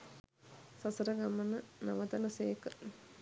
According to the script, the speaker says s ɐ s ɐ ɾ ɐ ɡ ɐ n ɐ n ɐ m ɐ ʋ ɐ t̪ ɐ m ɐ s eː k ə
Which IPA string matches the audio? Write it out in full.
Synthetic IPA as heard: s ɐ s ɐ ɾ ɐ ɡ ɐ m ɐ n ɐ n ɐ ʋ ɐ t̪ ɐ n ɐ s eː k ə